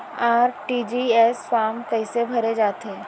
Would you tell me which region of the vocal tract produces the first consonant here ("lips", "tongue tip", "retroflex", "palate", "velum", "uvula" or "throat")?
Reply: tongue tip